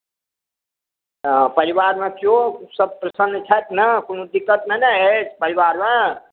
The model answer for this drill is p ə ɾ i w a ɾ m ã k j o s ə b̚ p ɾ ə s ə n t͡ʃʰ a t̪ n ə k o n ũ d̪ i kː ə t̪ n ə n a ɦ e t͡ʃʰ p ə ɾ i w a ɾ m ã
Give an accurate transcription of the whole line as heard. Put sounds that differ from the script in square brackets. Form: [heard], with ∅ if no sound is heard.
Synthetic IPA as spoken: p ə ɾ i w a ɾ m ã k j o s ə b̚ p ɾ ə s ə n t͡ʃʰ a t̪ n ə k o n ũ d̪ i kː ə t̪ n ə n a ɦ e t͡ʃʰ p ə ɾ i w a ɾ m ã